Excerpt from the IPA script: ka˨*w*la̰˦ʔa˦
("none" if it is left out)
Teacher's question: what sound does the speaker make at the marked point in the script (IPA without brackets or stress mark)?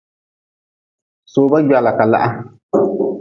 none